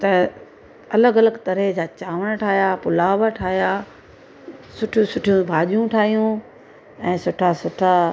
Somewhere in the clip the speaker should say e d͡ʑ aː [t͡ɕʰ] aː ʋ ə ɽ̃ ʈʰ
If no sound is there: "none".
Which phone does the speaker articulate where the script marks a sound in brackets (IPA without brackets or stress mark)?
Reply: t͡ɕ